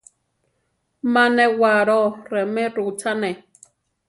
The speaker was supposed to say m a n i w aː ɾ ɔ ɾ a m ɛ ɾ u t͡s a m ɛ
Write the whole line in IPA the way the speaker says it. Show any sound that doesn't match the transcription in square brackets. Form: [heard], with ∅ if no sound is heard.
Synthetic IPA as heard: m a n [ɛ] w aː ɾ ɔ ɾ [ɛ] m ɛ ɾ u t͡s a [n] ɛ